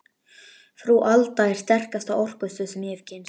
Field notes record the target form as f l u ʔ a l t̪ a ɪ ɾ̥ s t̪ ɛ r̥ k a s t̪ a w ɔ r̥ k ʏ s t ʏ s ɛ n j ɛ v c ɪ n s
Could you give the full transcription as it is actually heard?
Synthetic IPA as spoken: f ɾ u ʔ a l t̪ a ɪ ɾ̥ s t̪ ɛ r̥ k a s t̪ a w ɔ r̥ k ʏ s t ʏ s ɛ m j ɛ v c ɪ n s